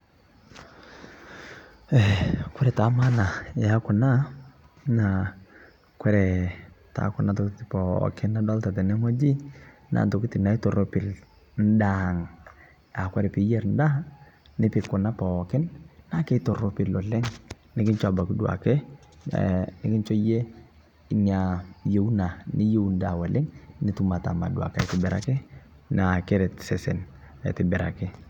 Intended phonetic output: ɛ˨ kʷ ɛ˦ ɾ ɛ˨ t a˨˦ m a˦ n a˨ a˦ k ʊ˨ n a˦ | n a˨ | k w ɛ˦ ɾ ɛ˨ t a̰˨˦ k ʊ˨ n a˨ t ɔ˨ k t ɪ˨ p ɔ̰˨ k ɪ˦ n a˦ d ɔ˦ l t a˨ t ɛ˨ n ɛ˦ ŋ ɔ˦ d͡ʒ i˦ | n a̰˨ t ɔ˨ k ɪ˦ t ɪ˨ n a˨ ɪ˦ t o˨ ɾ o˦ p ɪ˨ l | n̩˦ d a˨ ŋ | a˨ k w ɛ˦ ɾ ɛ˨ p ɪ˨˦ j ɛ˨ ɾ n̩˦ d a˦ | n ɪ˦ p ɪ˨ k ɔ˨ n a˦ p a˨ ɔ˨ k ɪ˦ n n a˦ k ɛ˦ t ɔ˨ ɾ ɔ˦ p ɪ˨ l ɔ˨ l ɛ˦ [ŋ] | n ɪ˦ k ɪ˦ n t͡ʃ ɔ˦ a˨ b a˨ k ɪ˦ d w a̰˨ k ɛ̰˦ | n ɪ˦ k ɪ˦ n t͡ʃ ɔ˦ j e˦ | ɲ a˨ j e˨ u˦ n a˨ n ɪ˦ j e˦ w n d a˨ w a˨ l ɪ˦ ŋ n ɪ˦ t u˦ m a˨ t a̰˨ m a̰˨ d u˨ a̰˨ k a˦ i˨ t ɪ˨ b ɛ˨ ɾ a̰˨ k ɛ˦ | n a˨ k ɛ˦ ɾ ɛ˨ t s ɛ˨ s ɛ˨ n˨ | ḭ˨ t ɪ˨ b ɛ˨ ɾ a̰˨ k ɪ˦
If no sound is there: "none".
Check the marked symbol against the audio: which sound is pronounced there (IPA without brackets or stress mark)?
ŋ